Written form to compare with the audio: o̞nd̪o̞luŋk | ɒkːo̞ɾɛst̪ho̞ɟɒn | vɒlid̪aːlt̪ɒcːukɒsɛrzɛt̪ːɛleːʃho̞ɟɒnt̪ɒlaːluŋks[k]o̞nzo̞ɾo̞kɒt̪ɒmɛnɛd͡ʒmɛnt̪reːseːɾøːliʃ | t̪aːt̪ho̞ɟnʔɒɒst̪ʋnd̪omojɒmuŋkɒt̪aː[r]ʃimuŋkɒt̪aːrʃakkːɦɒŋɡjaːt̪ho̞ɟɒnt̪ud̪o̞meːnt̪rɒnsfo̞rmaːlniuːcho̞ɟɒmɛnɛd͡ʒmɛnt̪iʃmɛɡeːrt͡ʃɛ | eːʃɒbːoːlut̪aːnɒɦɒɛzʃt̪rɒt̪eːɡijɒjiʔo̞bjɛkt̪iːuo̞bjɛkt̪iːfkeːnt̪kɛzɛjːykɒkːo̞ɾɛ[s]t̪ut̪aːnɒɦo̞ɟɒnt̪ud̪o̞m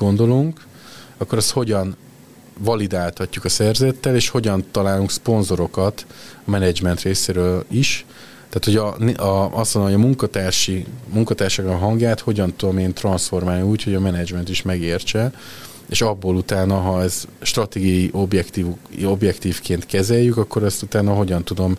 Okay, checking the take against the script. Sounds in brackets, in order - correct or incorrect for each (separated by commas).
incorrect, correct, correct